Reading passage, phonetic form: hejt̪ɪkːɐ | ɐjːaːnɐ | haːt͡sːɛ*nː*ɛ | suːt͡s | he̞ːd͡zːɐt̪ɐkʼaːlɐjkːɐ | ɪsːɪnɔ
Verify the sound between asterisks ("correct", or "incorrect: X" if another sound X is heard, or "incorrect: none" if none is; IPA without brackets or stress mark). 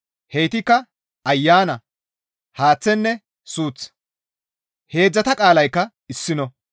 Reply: correct